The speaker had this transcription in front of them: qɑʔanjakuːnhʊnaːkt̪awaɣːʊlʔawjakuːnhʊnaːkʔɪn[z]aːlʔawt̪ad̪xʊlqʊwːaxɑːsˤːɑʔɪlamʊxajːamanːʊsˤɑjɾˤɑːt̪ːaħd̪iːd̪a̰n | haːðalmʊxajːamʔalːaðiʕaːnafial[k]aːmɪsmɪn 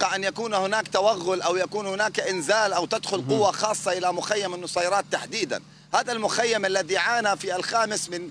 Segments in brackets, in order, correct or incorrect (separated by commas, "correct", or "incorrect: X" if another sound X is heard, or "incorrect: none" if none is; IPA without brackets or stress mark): correct, incorrect: x